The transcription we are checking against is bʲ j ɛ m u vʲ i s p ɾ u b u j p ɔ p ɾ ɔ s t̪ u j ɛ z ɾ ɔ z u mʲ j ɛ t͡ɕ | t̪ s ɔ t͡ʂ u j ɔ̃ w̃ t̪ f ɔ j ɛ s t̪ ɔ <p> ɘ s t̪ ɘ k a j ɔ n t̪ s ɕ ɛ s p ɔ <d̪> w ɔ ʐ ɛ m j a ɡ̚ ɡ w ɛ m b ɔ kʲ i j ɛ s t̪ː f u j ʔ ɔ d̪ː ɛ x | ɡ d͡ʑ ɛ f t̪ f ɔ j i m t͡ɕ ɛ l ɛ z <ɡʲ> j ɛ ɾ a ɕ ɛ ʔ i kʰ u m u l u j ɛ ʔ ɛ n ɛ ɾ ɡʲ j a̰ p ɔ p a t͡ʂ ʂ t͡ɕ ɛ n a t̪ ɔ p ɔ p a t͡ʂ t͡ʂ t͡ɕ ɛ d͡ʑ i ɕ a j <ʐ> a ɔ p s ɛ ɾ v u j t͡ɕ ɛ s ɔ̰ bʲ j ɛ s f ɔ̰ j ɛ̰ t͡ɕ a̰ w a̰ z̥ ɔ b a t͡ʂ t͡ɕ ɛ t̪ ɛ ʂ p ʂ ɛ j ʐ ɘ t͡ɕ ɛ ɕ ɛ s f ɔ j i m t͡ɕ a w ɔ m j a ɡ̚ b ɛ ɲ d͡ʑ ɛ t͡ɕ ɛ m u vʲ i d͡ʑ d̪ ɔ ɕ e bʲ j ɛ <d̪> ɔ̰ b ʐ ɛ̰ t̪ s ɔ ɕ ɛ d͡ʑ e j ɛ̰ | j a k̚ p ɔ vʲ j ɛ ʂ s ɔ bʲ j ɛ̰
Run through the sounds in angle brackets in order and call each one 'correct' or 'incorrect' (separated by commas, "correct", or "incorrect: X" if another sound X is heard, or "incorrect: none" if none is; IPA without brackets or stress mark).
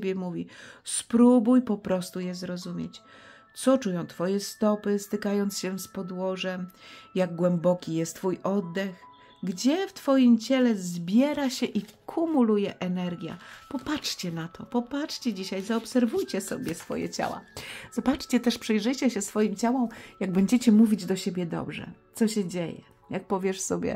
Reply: correct, correct, incorrect: bʲ, incorrect: z, correct